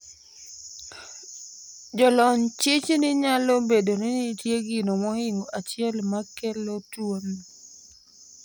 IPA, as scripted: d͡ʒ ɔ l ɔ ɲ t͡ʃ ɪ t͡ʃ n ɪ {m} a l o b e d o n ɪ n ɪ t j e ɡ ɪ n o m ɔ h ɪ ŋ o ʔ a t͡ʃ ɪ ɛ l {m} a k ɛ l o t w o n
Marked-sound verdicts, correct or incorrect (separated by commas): incorrect, correct